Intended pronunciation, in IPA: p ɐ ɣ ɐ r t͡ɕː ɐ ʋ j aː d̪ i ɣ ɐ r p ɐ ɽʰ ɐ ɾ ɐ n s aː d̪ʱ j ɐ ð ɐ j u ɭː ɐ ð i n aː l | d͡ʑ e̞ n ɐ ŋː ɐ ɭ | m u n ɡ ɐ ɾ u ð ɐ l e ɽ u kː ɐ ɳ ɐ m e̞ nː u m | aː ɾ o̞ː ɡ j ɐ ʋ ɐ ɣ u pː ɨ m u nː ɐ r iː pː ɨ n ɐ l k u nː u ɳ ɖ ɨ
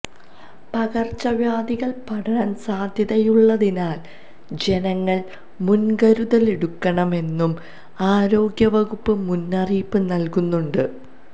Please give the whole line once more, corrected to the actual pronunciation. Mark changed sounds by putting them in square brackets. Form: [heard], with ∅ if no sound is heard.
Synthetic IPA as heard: p ɐ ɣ ɐ r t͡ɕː ɐ ʋ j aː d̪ i ɣ ɐ [ɭ] p ɐ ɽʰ ɐ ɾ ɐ n s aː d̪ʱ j ɐ ð ɐ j u ɭː ɐ ð i n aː l | d͡ʑ e̞ n ɐ ŋː ɐ ɭ | m u n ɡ ɐ ɾ u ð ɐ l e ɽ u kː ɐ ɳ ɐ m e̞ nː u m | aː ɾ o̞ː ɡ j ɐ ʋ ɐ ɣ u pː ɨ m u nː ɐ r iː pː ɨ n ɐ l k u nː u ɳ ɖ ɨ

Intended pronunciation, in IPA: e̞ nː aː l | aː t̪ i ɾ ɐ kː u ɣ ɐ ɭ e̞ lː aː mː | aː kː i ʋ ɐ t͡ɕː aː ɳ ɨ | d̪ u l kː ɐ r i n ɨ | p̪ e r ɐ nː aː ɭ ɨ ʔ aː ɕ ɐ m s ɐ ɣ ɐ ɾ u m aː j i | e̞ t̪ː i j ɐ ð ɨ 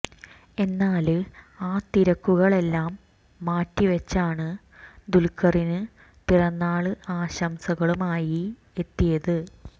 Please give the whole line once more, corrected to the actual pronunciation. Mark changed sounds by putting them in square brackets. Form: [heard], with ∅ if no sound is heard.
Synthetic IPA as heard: e̞ nː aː l | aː t̪ i ɾ ɐ kː u ɣ ɐ ɭ e̞ lː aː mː | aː [tː] i ʋ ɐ t͡ɕː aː ɳ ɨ | d̪ u l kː ɐ r i n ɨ | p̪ [i] r ɐ nː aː ɭ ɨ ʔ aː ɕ ɐ m s ɐ ɣ ɐ [ɭ] u m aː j i | e̞ t̪ː i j ɐ ð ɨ

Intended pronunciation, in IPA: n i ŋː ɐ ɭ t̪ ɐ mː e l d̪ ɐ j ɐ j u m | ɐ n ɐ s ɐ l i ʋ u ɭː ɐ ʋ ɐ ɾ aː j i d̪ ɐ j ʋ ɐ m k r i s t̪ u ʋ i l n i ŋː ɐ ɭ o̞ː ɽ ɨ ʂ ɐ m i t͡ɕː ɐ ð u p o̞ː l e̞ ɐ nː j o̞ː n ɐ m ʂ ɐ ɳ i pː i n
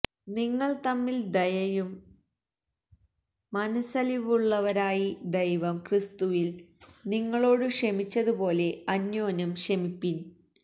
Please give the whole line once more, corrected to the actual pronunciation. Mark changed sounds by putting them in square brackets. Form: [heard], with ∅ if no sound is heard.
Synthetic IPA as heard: n i ŋː ɐ ɭ t̪ ɐ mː [i] l d̪ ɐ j ɐ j u m | ɐ n ɐ s ɐ l i ʋ u ɭː ɐ ʋ ɐ ɾ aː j i d̪ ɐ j ʋ ɐ m k r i s t̪ u ʋ i l n i ŋː ɐ ɭ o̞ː ɽ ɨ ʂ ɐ m i t͡ɕː ɐ ð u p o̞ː l e̞ ɐ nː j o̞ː n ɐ m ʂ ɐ [m] i pː i n

